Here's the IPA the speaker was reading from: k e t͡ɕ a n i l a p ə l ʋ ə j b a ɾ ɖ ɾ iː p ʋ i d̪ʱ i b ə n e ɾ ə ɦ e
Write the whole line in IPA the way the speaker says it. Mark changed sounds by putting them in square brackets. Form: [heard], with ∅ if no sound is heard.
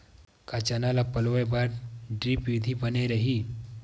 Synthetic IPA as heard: k [a] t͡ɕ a n [a] l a p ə l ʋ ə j b a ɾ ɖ ɾ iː p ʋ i d̪ʱ i b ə n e ɾ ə ɦ [i]